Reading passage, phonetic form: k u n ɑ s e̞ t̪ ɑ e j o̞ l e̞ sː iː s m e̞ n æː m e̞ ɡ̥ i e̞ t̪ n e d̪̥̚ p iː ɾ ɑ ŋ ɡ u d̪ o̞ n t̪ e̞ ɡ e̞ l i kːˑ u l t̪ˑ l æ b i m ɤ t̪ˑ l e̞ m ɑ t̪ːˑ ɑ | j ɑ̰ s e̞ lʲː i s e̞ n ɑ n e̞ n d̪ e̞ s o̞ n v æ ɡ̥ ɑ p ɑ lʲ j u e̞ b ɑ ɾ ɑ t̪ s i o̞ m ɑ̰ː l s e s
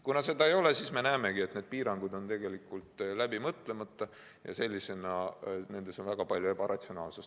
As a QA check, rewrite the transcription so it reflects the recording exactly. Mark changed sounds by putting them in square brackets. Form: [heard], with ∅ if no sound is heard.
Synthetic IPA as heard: k u n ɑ s e̞ [d̪] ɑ e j o̞ l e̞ [s] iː s m e̞ n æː m e̞ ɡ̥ i e̞ t̪ n e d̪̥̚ p iː ɾ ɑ ŋ ɡ u d̪ o̞ n t̪ e̞ ɡ e̞ l i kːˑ u l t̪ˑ l æ b i m ɤ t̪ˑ l e̞ m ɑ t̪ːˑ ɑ | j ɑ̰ s e̞ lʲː i s e̞ n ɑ n e̞ n d̪ e̞ s o̞ n v æ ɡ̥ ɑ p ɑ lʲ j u e̞ b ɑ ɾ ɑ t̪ s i o̞ [n] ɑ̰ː l s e s